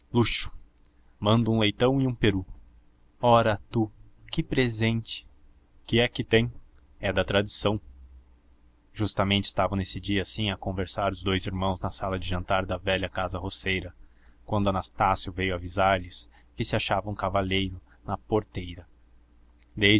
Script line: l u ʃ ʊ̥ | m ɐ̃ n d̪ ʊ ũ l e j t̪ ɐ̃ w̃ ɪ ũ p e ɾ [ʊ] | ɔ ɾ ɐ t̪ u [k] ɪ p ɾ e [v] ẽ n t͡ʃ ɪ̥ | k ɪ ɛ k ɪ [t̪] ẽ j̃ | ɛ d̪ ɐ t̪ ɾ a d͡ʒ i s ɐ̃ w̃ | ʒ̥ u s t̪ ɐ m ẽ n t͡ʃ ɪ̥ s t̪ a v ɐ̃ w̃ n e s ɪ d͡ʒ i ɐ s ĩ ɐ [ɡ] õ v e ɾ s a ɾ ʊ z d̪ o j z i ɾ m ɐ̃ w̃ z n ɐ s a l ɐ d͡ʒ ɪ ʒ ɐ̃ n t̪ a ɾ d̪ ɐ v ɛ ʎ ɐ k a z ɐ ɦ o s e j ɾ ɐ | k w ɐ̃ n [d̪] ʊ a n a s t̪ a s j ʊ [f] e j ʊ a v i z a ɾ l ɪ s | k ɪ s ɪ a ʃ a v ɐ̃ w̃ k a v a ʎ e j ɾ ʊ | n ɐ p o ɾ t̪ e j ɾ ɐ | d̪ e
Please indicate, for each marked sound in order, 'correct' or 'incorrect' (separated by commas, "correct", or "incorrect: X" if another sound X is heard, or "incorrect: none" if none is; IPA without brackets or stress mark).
incorrect: u, correct, incorrect: z, correct, incorrect: k, correct, incorrect: v